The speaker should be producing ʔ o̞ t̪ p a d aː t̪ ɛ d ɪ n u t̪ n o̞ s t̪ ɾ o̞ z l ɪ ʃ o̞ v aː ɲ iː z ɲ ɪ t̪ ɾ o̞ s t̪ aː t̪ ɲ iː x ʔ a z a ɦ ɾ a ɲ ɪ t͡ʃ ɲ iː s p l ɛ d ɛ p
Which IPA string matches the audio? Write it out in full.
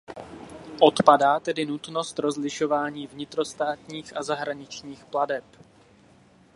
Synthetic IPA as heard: ʔ o̞ t̪ p a d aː t̪ ɛ d ɪ n u t̪ n o̞ s t̪ ɾ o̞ z l ɪ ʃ o̞ v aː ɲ iː v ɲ ɪ t̪ ɾ o̞ s t̪ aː t̪ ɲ iː x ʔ a z a ɦ ɾ a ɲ ɪ t͡ʃ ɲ iː x p l a d ɛ p